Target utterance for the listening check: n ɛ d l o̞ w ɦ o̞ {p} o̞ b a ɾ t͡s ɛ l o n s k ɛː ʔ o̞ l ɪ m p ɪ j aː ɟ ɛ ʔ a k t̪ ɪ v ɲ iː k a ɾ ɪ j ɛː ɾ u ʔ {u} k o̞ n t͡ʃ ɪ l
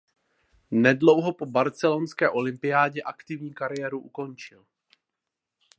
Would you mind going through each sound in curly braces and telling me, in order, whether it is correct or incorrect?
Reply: correct, correct

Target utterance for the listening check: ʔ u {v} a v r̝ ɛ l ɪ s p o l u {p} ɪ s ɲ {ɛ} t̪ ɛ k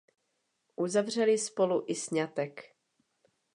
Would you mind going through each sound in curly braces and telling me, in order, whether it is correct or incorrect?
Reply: incorrect: z, incorrect: ʔ, incorrect: a

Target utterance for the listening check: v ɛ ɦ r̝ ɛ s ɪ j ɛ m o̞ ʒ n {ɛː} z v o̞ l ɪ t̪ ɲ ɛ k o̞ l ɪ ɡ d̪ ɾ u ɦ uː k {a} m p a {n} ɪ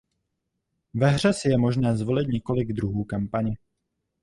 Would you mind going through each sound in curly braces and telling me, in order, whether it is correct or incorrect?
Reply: correct, correct, incorrect: ɲ

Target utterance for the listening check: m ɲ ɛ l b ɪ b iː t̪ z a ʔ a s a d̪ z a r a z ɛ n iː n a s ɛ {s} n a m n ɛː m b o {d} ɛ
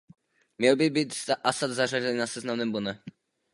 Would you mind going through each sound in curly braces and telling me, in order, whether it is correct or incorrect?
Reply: incorrect: z, incorrect: n

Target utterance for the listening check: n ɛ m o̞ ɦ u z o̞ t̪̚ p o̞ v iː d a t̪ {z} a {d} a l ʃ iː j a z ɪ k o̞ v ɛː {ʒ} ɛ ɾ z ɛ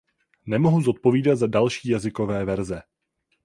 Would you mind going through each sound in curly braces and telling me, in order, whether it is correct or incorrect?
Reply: correct, correct, incorrect: v

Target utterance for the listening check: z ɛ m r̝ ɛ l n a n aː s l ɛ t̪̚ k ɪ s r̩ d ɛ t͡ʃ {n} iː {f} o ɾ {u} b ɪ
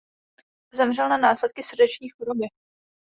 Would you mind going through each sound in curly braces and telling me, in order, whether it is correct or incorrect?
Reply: incorrect: ɲ, incorrect: x, incorrect: o

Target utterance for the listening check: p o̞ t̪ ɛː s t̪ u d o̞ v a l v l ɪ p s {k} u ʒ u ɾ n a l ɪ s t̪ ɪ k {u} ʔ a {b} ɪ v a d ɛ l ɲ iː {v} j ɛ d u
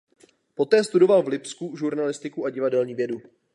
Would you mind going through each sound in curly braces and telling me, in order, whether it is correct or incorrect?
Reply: correct, correct, incorrect: ɟ, correct

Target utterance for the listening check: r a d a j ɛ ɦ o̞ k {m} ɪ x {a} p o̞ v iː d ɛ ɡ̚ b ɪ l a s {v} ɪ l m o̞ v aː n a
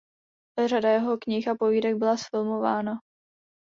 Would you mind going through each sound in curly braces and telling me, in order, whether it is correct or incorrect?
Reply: incorrect: ɲ, correct, incorrect: f

